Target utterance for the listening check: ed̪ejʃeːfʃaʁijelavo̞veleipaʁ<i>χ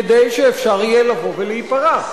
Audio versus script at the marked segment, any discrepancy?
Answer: yes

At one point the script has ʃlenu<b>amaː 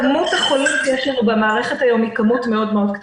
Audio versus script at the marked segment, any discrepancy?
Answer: no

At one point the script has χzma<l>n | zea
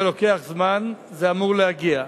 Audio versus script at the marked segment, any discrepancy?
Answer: yes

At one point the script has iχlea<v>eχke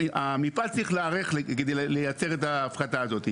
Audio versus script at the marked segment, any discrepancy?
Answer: yes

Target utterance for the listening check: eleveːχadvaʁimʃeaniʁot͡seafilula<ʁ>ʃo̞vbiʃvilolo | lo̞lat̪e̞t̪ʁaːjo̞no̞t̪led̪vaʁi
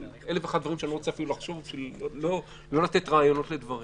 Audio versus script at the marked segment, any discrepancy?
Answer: yes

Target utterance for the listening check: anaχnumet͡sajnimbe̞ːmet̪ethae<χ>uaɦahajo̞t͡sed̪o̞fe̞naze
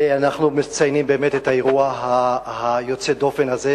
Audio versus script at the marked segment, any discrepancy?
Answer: yes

